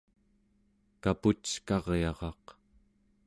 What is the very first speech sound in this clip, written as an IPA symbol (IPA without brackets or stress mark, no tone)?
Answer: k